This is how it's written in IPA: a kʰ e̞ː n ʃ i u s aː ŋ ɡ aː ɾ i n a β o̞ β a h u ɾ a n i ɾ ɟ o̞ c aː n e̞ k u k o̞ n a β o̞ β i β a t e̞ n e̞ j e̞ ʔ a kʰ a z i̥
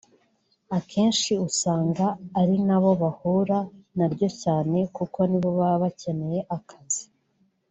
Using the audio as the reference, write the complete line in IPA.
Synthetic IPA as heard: a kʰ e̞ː n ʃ i u s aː ŋ ɡ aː ɾ i n a β o̞ β a h u ɾ a n a ɾ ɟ o̞ c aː n e̞ k u k o̞ n i β o̞ β a β a c e̞ n e̞ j e̞ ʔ a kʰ a z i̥